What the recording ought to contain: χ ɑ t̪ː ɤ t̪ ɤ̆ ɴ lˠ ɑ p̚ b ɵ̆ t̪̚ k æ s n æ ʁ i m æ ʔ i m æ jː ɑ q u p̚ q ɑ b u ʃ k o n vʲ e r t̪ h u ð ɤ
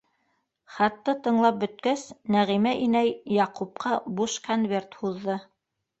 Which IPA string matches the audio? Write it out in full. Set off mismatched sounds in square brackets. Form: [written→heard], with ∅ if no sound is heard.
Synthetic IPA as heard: χ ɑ t̪ː ɤ t̪ ɤ̆ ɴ lˠ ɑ p̚ b ɵ̆ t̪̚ k æ s n æ ʁ i m æ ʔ i [m→n] æ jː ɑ q u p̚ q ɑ b u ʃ k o n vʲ e r t̪ h u [ð→ðː] ɤ